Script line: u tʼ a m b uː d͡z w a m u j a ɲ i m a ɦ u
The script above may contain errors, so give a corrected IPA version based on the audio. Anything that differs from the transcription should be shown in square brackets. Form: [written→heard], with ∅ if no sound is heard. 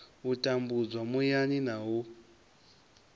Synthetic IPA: u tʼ a m b [uː→u] d͡z w a m u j a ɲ i [m→n] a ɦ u